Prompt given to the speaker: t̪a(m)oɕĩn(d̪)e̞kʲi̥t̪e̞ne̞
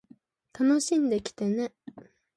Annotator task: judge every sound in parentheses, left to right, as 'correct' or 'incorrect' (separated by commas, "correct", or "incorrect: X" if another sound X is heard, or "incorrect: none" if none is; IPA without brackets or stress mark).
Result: incorrect: n, correct